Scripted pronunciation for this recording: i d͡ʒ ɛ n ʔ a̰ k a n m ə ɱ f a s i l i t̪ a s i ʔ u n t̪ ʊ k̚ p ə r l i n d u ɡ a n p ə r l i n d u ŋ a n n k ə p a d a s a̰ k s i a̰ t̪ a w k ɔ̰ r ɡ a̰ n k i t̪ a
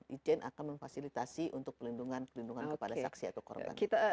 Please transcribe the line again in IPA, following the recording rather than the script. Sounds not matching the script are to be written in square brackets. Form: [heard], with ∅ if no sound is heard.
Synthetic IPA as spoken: i d͡ʒ ɛ n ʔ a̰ k a n m ə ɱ f a s i l i t̪ a s i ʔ u n t̪ ʊ k̚ p ə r l i n d u [ŋ] a n p ə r l i n d u ŋ a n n k ə p a d a s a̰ k s i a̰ t̪ a w k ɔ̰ r [b] a̰ n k i t̪ a